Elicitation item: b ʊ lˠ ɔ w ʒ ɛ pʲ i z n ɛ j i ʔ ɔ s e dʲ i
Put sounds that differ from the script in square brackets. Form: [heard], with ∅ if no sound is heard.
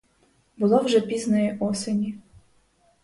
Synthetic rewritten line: b ʊ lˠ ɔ w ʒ ɛ pʲ i z n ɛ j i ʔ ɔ s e [nʲ] i